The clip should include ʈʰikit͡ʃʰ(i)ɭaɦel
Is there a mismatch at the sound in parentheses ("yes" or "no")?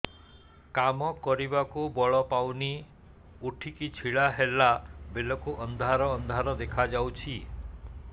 no